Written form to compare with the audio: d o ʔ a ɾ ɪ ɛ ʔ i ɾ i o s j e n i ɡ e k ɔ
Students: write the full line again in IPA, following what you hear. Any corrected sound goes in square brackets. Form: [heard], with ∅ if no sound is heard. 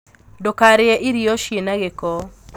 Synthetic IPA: d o [k] a ɾ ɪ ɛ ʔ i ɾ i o [ʃ] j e n [a] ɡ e k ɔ